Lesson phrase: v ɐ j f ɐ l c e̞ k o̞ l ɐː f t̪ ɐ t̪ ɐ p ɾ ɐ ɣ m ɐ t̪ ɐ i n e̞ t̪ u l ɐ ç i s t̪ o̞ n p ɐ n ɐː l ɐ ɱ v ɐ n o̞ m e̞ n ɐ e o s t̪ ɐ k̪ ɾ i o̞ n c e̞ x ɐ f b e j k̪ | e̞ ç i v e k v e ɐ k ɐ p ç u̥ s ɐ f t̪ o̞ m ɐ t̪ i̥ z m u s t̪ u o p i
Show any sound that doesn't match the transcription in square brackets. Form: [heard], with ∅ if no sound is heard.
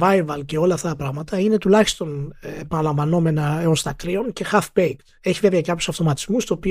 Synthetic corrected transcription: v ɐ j [v] ɐ l c e̞ [∅] o̞ l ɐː f t̪ ɐ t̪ ɐ p ɾ ɐ ɣ m ɐ t̪ ɐ i n e̞ t̪ u l ɐ ç i s t̪ o̞ n p ɐ n [ɐ] l ɐ ɱ v ɐ n o̞ m e̞ n ɐ e o s t̪ ɐ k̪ ɾ i o̞ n c e̞ x ɐ f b e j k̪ | e̞ ç i v e [∅] v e ɐ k ɐ p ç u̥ s ɐ f t̪ o̞ m ɐ t̪ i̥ z m u s t̪ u o p i